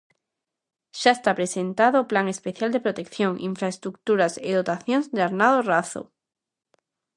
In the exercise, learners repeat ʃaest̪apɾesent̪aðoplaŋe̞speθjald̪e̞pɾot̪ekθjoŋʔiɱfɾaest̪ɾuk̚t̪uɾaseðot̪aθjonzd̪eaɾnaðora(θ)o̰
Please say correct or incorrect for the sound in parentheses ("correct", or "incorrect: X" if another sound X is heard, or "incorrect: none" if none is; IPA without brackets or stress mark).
correct